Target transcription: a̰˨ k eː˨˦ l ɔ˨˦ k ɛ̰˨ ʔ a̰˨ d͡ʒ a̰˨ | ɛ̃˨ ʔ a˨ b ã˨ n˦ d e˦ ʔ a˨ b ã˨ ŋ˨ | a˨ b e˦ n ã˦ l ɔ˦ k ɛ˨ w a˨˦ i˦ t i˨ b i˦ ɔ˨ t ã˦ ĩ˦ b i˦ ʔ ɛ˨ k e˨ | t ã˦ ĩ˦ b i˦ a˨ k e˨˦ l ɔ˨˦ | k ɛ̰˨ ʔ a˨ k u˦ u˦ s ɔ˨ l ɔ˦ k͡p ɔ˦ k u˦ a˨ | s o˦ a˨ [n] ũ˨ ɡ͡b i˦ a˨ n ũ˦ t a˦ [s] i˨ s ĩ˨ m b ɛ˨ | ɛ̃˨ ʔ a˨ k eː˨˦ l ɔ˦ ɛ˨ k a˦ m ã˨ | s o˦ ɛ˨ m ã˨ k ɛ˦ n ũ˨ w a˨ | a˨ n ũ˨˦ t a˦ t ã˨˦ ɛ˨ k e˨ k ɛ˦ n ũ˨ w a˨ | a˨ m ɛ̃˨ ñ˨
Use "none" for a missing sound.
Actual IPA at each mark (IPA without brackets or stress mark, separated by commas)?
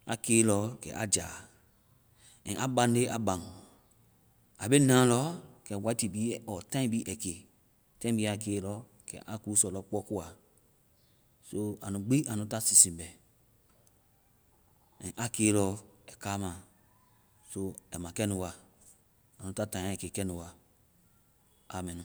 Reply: n, s